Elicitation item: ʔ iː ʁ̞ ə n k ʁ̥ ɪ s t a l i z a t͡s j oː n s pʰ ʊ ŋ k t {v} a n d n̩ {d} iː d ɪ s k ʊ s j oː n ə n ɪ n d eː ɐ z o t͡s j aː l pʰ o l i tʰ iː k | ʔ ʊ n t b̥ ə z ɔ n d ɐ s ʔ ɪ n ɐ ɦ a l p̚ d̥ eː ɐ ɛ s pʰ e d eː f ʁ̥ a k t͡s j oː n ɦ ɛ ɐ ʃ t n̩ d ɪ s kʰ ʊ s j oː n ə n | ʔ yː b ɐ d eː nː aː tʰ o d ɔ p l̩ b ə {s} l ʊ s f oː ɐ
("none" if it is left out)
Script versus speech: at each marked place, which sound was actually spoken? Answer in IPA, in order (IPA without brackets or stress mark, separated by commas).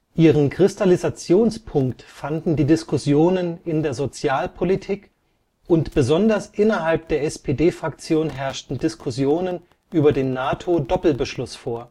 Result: f, d, ʃ